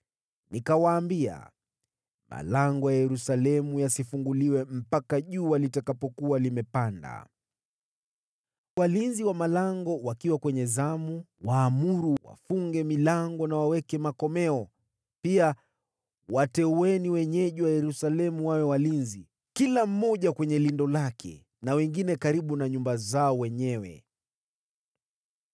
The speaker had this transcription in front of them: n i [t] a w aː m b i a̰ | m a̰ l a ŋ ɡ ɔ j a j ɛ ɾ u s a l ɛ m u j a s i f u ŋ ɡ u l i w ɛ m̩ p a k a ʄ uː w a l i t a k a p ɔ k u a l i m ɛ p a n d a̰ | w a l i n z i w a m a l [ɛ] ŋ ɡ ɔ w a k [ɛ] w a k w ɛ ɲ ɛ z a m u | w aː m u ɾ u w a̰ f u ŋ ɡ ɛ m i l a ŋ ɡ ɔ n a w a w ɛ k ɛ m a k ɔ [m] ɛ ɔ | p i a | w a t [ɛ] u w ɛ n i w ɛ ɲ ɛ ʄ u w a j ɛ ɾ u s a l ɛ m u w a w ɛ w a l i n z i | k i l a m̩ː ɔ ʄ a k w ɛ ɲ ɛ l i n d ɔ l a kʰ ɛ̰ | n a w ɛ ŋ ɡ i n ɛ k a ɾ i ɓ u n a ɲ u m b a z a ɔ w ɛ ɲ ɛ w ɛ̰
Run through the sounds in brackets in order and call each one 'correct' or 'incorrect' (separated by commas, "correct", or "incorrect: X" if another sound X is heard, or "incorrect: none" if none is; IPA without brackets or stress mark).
incorrect: k, incorrect: a, incorrect: i, correct, correct